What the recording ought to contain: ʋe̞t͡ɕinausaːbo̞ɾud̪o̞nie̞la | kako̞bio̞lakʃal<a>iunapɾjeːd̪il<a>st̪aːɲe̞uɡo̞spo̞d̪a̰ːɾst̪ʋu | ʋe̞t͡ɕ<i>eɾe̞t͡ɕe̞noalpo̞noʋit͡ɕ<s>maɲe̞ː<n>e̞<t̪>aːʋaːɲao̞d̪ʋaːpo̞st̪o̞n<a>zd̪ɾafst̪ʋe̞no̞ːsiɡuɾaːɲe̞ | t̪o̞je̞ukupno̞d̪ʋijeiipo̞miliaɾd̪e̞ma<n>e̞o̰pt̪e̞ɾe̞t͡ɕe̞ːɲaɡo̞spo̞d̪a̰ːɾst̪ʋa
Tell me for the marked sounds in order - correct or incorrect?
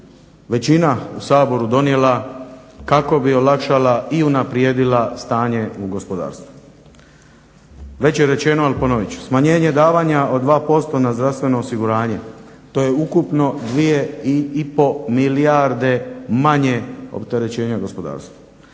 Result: correct, correct, incorrect: j, correct, incorrect: ɲ, incorrect: d̪, correct, incorrect: ɲ

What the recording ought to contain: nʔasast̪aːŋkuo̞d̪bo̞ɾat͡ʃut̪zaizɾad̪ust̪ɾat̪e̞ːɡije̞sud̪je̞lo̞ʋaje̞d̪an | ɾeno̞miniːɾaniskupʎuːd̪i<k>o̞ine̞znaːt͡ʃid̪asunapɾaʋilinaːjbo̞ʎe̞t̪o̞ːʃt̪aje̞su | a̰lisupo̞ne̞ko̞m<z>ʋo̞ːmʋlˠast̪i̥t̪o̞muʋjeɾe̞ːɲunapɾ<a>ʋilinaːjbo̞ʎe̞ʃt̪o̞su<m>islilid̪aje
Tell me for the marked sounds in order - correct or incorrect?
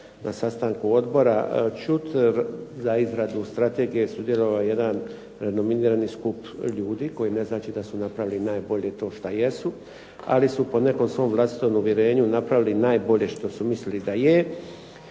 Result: correct, incorrect: s, correct, correct

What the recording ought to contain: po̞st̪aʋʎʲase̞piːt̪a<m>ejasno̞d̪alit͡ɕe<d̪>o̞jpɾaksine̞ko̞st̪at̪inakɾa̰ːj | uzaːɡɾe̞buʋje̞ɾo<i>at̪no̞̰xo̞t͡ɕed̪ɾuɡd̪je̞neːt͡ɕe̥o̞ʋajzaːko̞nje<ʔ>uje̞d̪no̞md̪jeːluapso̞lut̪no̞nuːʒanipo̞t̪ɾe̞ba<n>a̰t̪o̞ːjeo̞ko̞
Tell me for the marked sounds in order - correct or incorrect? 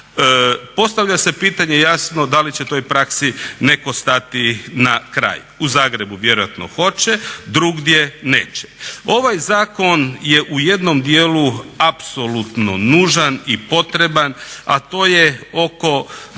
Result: incorrect: ɲ, incorrect: t̪, incorrect: j, correct, correct

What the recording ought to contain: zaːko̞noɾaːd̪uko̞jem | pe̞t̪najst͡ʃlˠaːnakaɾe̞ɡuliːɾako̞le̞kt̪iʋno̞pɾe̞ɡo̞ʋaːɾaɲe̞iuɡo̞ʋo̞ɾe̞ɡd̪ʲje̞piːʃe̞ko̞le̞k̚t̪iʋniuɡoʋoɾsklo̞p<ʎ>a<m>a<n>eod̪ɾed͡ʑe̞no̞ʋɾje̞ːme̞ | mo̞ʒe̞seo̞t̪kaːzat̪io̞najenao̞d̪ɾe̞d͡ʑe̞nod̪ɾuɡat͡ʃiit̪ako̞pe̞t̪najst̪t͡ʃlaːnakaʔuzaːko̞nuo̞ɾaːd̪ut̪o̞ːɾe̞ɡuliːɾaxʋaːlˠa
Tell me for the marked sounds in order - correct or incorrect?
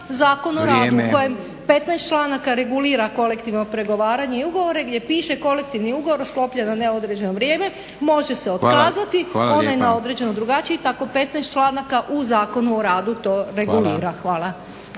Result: correct, incorrect: n, correct

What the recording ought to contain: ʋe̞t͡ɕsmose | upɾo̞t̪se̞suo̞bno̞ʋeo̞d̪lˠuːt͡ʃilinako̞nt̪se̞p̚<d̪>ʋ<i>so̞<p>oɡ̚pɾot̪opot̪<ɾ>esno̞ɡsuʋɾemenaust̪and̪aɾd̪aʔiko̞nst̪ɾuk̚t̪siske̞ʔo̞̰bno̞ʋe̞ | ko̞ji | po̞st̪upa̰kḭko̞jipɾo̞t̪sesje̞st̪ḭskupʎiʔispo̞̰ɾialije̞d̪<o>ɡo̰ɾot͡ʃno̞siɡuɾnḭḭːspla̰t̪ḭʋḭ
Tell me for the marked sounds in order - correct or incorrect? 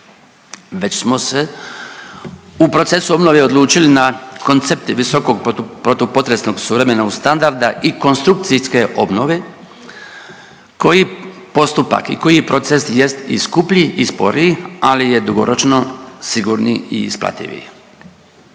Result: incorrect: t̪, correct, incorrect: k, correct, incorrect: u

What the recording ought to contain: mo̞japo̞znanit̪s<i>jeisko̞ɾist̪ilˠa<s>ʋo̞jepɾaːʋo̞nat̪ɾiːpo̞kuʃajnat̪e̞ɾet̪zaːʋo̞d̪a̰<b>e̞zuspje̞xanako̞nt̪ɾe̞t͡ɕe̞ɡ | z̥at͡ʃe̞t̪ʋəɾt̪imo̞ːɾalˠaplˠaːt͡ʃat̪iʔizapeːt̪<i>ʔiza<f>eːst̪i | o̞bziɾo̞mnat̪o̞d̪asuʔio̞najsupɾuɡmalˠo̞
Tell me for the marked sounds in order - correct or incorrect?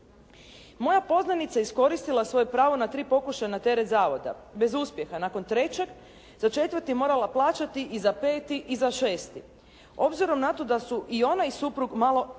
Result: incorrect: a, correct, correct, correct, incorrect: ʃ

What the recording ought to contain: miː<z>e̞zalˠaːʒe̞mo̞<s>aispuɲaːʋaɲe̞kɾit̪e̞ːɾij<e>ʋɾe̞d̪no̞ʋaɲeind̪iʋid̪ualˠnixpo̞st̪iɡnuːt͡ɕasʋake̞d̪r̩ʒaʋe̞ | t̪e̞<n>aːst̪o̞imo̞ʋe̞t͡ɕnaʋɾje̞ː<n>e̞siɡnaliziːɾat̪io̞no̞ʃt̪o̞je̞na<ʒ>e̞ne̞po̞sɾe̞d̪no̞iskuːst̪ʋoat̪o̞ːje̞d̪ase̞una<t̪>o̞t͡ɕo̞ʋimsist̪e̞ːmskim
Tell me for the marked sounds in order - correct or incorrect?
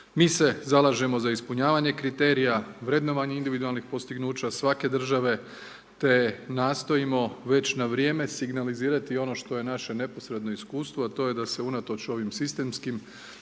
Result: incorrect: s, incorrect: z, incorrect: a, correct, incorrect: m, incorrect: ʃ, correct

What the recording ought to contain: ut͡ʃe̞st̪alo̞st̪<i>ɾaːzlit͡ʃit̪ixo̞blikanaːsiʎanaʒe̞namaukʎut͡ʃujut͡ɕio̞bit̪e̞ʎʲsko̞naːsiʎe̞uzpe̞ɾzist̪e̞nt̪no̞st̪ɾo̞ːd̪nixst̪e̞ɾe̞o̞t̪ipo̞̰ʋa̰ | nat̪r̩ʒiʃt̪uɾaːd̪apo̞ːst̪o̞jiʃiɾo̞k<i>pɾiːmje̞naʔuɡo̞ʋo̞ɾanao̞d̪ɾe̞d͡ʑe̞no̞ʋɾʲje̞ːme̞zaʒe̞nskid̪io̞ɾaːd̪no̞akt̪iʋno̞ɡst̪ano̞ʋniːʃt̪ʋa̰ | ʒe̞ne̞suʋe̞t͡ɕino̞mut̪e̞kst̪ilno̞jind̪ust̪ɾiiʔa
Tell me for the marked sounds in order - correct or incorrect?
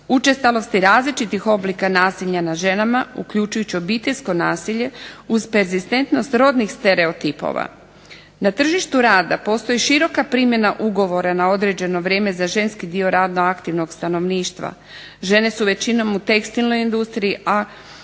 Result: correct, incorrect: a

